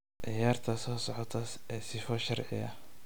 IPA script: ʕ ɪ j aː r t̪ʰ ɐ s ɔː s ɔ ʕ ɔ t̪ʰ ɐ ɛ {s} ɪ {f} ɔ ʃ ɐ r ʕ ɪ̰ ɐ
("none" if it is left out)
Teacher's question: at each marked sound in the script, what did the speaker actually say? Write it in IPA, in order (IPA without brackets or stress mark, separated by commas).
s, f